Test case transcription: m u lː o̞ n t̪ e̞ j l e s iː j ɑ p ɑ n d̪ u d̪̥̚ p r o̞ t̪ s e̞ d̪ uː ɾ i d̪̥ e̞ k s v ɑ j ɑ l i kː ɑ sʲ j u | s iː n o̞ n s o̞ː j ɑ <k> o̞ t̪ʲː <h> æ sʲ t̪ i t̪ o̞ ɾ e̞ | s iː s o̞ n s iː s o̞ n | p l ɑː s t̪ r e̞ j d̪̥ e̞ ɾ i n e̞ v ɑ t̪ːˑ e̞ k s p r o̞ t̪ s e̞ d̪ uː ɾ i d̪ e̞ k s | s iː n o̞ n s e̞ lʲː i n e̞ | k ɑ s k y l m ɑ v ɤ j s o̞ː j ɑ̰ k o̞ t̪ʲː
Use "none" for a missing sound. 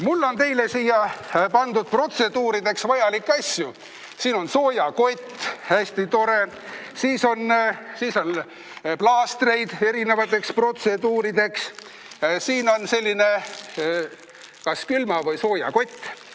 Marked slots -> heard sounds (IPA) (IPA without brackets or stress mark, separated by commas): k, h